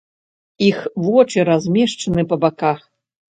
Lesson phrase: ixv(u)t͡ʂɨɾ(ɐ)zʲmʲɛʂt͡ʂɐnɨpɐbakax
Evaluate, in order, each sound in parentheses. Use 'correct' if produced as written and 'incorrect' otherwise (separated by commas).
incorrect, incorrect